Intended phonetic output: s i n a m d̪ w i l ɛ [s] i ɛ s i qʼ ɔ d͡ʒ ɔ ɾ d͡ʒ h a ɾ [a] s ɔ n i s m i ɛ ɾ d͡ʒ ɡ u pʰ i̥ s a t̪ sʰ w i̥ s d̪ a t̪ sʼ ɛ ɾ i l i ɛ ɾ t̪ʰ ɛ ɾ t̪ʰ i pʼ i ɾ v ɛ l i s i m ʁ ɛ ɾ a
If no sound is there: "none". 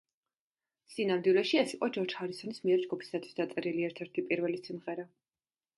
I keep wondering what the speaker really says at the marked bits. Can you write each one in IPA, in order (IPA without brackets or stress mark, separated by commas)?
ʃ, i